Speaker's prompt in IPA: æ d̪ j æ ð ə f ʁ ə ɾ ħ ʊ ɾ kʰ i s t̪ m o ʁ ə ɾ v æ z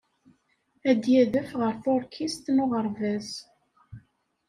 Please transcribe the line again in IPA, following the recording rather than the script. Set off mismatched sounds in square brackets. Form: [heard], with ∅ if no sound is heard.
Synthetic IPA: æ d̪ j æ ð ə f ʁ ə ɾ [θ] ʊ ɾ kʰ i s t̪ [n] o ʁ ə ɾ v æ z